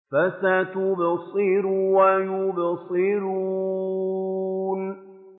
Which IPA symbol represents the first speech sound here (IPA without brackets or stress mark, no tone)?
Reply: f